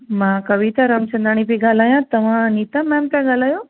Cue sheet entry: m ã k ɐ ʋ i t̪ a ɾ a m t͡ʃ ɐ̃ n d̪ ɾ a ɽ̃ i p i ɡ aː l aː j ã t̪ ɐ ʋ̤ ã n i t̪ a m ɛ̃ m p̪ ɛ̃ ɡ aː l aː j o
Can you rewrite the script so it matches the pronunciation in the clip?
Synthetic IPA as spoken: m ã k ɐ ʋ i t̪ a ɾ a m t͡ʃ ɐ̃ n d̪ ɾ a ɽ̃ i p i ɡ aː l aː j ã t̪ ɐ ʋ̤ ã n i t̪ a m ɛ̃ m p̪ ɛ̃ ɡ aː l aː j o